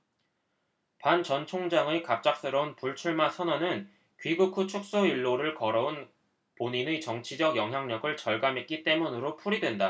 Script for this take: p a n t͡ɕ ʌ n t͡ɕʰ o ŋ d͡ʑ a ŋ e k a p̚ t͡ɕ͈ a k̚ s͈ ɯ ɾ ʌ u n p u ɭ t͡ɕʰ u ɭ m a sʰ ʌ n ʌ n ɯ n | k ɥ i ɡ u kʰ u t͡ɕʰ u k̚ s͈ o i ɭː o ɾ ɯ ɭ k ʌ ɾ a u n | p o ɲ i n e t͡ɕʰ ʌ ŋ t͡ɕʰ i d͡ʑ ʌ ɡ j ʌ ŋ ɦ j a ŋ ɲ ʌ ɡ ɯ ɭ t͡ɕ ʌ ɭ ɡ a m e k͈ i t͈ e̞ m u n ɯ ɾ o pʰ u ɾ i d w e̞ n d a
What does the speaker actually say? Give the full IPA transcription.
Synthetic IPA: p a n t͡ɕ ʌ n t͡ɕʰ o ŋ d͡ʑ a ŋ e k a p̚ t͡ɕ͈ a k̚ s͈ ɯ ɾ ʌ u n p u ɭ t͡ɕʰ u ɭ m a sʰ ʌ n ʌ n ɯ n | k ɥ i ɡ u kʰ u t͡ɕʰ u k̚ s͈ o i ɭː o ɾ ɯ ɭ k ʌ ɾ ʌ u n | p o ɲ i n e t͡ɕ ʌ ŋ t͡ɕʰ i d͡ʑ ʌ ɡ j ʌ ŋ ɦ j a ŋ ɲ ʌ ɡ ɯ ɭ t͡ɕ ʌ ɭ ɡ a m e k͈ i t͈ e̞ m u n ɯ ɾ o pʰ u ɾ i d w e̞ n d a